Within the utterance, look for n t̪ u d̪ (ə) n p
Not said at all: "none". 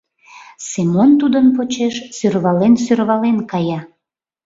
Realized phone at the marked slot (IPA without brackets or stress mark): ə